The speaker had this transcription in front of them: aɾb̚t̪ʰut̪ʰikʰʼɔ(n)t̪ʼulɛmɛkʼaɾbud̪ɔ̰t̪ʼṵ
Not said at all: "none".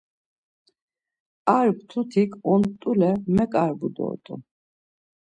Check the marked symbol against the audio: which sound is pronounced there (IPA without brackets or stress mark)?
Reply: n